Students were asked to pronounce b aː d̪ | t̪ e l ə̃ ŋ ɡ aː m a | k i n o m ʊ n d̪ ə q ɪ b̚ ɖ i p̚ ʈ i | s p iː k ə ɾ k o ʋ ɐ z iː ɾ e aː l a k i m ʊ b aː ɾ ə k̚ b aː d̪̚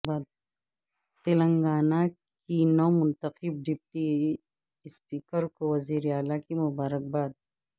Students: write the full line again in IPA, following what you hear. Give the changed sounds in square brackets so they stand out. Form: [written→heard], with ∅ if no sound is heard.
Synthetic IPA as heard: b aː d̪ | t̪ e l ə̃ ŋ ɡ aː [m→n] a | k i n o m ʊ n [d̪→t̪] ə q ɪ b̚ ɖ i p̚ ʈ i | s p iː k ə ɾ k o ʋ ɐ z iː ɾ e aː l a k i m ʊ b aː ɾ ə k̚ b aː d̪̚